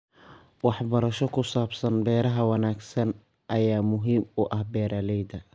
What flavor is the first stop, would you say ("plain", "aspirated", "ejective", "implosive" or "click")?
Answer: plain